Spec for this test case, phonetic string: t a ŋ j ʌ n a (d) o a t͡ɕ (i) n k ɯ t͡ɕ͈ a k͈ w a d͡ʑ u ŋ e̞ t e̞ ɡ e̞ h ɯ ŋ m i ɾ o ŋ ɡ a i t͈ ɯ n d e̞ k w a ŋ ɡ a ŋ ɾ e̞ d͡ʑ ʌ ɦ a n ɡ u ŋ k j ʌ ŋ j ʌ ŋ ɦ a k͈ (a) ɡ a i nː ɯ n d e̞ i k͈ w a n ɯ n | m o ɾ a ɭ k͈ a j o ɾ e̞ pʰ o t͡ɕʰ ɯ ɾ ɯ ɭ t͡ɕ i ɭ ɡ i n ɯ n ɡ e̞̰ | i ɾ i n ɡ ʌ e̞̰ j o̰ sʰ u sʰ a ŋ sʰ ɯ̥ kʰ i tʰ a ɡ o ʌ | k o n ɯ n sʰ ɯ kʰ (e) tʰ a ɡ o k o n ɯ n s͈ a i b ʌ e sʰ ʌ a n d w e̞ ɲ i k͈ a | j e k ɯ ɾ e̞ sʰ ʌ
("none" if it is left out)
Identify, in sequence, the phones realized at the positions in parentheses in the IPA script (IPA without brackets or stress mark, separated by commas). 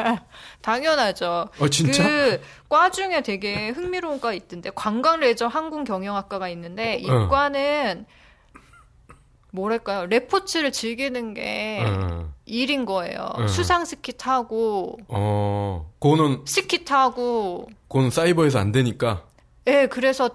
d͡ʑ, i, a, i